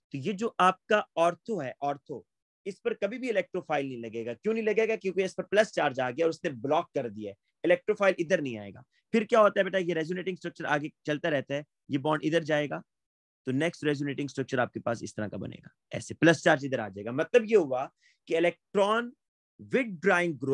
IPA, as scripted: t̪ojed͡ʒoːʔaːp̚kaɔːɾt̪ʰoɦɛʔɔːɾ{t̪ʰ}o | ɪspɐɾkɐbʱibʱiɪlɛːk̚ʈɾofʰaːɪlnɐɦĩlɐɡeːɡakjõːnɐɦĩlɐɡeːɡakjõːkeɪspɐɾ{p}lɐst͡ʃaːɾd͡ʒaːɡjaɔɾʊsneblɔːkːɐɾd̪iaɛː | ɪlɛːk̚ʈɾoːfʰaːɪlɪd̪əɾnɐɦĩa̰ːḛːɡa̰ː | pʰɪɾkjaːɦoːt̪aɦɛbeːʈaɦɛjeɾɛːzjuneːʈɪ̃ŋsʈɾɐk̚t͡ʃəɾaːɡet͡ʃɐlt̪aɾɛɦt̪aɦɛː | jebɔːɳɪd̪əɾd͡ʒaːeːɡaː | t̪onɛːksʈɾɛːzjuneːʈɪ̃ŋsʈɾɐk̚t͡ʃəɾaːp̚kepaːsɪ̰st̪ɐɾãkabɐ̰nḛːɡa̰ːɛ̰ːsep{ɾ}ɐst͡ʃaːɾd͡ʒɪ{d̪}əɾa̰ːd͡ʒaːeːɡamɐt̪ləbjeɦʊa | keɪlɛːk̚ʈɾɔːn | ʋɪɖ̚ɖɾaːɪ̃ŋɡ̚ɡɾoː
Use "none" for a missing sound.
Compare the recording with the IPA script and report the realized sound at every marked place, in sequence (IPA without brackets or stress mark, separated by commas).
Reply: t̪ʰ, p, l, d̪